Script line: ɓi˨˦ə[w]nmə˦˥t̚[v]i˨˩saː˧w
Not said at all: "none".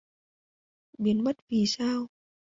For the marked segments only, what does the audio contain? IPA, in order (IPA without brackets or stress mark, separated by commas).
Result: none, v